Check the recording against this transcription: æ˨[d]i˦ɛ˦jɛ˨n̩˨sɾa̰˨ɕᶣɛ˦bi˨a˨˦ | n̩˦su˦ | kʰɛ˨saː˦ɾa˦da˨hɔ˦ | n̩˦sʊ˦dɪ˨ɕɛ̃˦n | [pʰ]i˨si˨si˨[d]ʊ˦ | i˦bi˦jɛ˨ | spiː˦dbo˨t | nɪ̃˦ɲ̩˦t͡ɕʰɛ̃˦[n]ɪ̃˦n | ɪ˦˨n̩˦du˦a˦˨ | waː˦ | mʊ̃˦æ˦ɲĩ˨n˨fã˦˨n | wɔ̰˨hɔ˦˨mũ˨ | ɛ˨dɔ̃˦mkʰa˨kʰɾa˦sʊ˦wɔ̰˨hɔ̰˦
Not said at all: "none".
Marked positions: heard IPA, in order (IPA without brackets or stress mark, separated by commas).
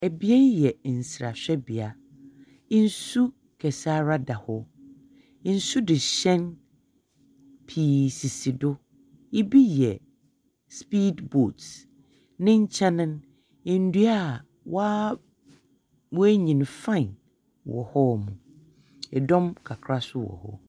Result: b, pʰ, d, n